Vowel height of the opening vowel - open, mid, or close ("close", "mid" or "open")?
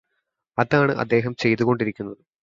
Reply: open